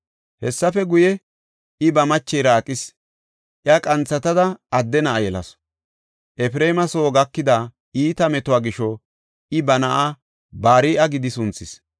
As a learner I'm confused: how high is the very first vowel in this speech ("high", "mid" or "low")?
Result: mid